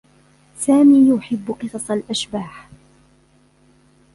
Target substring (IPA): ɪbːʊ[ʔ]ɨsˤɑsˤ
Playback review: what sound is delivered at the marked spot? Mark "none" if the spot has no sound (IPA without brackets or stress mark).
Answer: q